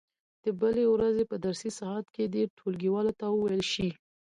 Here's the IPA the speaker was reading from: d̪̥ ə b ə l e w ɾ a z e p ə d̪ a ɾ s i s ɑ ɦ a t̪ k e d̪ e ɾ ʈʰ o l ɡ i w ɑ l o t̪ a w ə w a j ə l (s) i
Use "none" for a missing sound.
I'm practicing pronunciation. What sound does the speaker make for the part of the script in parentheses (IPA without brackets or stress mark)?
ʃ